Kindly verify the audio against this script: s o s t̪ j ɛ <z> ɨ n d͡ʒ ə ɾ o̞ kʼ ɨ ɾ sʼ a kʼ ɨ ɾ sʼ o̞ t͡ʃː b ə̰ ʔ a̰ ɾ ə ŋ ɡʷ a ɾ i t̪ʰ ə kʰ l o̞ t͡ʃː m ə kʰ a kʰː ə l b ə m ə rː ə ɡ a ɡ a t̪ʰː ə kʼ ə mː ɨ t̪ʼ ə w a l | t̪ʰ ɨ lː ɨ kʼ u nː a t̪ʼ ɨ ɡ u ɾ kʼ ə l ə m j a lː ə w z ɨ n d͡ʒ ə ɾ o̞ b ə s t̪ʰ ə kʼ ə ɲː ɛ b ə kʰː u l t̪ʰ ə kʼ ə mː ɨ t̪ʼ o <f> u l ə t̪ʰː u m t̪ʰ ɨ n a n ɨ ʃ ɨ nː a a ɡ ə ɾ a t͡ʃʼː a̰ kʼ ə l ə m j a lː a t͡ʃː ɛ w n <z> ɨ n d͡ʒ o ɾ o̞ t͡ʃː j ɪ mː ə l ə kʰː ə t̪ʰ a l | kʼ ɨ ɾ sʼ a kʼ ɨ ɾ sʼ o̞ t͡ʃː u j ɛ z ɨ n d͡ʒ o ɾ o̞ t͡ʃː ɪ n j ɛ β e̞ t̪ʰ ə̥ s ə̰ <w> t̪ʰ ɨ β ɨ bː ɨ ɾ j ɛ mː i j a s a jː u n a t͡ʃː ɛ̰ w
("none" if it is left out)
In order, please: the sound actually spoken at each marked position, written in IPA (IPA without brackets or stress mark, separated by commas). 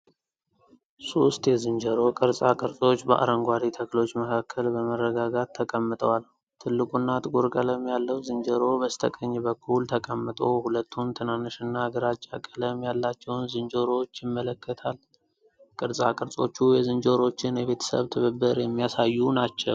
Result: z, h, z, β